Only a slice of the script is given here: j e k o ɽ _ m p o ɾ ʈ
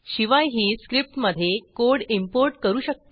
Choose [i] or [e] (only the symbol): i